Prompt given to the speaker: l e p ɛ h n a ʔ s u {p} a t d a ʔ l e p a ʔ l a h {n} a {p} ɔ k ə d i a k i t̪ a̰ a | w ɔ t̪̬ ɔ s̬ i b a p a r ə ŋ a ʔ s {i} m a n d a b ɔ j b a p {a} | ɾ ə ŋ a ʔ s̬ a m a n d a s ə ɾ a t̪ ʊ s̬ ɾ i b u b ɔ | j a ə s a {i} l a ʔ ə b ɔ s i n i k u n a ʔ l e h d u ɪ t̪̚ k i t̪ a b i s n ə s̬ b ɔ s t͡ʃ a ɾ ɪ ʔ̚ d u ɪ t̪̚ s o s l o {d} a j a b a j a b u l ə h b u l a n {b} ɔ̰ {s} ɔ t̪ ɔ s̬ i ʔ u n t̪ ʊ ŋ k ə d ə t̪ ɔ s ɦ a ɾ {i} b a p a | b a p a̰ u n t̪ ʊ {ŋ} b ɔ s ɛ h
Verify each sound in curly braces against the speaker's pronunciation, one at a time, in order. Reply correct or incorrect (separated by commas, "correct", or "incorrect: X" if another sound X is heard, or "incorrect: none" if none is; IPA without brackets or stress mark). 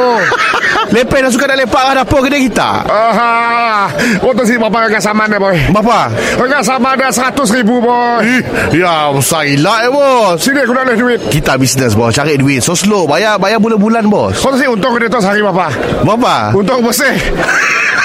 incorrect: k, incorrect: d, correct, incorrect: a, correct, correct, incorrect: b, correct, correct, correct, correct